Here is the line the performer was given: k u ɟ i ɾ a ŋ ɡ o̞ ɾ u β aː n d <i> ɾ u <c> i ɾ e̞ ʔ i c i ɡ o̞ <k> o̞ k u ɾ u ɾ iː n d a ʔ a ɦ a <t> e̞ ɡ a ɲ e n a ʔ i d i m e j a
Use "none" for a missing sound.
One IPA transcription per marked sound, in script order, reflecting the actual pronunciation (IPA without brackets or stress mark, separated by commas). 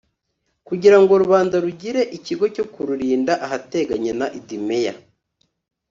a, ɟ, c, t